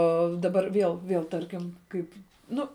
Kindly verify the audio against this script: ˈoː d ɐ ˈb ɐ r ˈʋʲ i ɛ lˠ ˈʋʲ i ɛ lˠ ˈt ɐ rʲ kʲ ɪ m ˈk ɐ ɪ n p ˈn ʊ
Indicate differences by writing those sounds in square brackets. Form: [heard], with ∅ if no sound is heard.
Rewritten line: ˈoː d ɐ ˈb ɐ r ˈʋʲ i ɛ lˠ ˈʋʲ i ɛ lˠ ˈt ɐ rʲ kʲ ɪ m ˈk ɐ ɪ [∅] p ˈn ʊ